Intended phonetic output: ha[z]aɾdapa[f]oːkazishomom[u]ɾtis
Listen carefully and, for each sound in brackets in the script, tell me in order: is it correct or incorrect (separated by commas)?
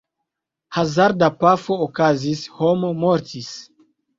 correct, correct, incorrect